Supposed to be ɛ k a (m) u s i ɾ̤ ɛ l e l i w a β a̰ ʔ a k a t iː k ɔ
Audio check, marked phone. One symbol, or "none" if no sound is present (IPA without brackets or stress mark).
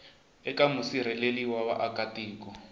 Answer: m